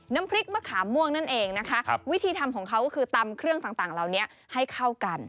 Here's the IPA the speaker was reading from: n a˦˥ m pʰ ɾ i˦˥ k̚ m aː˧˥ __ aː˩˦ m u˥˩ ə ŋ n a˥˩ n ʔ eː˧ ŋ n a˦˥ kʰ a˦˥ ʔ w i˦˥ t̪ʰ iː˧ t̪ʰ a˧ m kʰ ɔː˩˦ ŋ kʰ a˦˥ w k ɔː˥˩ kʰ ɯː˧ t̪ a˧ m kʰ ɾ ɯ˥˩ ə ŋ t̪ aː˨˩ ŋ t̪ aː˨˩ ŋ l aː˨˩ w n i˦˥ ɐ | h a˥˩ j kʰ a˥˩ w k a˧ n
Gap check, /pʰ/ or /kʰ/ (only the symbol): kʰ